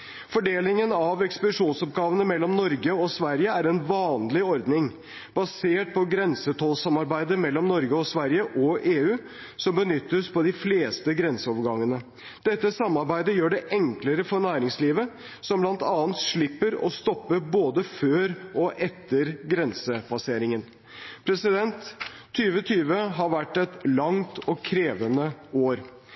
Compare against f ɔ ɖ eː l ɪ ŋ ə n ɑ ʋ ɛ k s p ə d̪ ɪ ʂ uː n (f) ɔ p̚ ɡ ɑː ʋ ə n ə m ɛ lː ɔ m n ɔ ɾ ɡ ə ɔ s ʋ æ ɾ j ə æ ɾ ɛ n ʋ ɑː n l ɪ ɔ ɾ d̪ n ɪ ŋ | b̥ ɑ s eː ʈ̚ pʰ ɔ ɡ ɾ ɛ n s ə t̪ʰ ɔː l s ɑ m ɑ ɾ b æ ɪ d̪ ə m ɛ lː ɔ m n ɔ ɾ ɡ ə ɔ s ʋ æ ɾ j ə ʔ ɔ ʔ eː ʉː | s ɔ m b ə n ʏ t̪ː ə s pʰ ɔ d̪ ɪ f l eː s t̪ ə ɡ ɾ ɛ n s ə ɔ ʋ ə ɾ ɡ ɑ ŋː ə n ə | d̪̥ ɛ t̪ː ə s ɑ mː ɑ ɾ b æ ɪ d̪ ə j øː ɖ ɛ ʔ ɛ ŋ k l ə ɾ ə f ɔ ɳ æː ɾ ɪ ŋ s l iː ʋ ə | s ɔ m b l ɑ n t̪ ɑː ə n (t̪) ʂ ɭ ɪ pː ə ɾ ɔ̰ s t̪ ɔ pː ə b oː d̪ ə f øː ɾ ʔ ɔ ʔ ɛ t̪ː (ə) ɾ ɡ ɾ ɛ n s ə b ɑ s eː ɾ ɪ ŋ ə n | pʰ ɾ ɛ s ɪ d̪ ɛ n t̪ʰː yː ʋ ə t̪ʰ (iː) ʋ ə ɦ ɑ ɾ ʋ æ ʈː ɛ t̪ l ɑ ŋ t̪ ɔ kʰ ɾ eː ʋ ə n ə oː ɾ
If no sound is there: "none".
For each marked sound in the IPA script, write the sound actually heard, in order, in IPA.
s, t̪, ə, yː

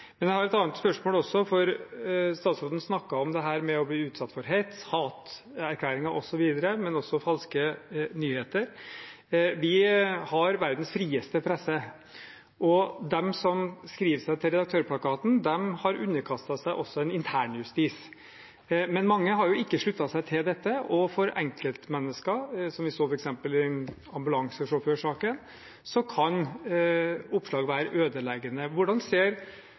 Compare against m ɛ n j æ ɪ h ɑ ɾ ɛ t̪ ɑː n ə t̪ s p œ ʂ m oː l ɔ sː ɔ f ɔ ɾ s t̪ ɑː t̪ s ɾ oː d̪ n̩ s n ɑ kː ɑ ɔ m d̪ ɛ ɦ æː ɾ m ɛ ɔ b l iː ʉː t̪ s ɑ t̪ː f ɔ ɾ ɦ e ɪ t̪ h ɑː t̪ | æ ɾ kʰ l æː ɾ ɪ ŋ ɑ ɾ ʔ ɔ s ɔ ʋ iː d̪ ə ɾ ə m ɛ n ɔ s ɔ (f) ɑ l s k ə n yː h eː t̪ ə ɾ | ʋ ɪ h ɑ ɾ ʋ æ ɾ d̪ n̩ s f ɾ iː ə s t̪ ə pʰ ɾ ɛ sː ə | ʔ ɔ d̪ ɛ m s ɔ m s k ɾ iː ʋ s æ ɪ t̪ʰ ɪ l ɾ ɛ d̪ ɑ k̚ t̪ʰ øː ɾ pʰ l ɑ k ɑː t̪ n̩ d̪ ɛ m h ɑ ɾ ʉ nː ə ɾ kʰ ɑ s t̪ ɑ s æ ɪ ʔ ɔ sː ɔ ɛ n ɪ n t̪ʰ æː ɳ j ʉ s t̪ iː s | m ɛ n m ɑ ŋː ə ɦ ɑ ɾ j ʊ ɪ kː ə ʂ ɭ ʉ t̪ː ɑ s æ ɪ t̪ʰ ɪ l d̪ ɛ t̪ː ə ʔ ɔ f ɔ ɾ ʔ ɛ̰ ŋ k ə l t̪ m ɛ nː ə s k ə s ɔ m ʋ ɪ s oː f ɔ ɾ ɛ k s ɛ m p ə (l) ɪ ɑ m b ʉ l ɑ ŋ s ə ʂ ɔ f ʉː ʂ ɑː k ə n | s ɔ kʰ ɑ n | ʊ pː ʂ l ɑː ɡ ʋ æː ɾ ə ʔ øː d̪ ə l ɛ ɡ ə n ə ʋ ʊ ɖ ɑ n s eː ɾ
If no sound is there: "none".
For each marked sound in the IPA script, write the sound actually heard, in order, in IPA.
f, l

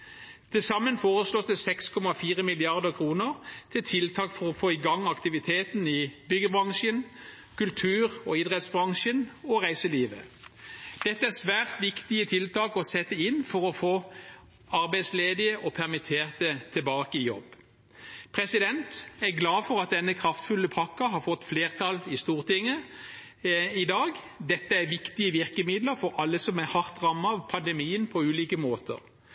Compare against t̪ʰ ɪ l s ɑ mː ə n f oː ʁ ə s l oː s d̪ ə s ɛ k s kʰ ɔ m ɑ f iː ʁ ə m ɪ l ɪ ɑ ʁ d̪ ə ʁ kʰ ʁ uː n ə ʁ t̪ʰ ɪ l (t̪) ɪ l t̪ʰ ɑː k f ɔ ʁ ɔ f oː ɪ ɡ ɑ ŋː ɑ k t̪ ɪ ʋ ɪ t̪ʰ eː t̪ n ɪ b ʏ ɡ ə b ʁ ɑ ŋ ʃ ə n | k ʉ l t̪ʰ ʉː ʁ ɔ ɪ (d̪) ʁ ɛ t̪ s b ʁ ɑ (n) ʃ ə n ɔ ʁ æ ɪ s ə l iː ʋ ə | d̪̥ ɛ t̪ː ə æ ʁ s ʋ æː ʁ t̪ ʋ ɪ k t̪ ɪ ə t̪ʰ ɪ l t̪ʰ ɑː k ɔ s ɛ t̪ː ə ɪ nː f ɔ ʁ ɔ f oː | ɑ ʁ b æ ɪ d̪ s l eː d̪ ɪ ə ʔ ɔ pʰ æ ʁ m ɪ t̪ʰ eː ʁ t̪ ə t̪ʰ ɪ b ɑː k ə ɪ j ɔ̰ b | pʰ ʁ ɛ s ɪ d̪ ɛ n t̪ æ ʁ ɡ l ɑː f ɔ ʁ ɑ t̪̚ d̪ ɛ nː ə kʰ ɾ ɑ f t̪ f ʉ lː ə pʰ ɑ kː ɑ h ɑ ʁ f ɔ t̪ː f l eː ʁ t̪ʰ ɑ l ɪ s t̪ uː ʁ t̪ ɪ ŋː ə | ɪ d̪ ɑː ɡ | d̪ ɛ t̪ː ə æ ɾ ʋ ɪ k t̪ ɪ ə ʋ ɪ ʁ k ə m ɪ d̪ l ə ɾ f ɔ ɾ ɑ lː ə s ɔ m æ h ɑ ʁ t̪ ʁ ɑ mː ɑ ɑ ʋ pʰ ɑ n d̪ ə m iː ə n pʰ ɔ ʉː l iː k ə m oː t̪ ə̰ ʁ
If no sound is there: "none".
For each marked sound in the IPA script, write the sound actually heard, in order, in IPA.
t̪ʰ, d̪, ŋ

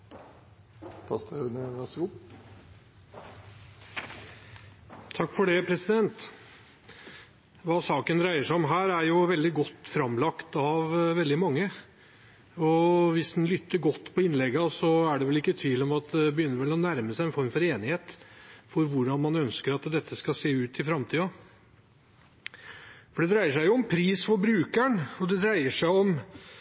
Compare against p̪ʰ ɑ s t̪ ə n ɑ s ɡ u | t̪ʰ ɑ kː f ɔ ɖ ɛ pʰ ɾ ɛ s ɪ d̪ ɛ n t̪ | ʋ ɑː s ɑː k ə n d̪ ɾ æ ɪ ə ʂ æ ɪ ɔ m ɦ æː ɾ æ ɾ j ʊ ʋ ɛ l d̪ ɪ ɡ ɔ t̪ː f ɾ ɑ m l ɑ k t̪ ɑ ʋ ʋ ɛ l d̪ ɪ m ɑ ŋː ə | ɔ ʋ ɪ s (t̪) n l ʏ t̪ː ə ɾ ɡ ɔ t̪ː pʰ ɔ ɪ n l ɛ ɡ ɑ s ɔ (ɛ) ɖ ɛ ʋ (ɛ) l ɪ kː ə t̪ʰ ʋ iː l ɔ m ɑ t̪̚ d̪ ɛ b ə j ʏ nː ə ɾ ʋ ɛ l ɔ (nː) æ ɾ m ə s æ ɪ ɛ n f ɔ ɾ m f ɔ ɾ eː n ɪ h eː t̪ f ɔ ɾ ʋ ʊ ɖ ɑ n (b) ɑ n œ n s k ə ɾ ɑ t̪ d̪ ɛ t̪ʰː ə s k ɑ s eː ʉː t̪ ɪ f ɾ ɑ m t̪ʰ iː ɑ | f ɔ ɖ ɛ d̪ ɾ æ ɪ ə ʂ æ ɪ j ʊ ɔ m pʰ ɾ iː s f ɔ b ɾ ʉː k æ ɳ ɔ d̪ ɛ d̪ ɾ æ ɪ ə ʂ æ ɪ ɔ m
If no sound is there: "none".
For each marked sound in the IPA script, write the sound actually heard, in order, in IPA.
d̪, æ, ɛ, n, m

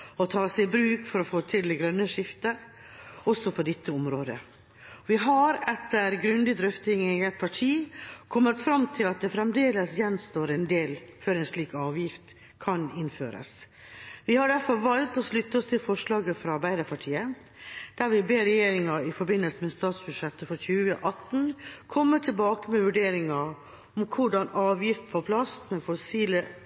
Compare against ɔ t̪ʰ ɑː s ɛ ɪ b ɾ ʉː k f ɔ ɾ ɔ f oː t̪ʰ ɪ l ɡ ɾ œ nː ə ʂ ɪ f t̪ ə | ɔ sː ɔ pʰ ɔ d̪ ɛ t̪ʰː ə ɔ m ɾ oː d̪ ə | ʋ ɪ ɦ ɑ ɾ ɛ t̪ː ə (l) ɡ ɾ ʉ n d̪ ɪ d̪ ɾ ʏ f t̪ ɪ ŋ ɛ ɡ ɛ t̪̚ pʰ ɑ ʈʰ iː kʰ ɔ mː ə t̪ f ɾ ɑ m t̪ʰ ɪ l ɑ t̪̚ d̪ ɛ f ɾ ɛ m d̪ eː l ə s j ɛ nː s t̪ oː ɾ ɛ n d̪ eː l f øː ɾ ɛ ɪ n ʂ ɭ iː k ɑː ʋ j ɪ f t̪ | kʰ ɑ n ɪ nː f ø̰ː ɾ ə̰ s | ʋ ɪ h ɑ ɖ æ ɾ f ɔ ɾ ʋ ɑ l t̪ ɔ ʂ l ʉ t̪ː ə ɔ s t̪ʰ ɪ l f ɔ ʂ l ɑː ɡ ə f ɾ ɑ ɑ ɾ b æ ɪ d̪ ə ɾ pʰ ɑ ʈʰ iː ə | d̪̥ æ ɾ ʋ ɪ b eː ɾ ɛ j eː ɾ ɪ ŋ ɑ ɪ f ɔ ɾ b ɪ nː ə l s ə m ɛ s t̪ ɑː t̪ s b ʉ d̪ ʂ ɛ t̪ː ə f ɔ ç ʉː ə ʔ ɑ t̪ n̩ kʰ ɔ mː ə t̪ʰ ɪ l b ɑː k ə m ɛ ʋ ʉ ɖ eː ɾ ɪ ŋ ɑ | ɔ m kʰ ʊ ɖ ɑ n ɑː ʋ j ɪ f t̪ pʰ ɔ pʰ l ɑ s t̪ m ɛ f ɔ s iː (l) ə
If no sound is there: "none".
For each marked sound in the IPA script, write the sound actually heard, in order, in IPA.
ɾ, l

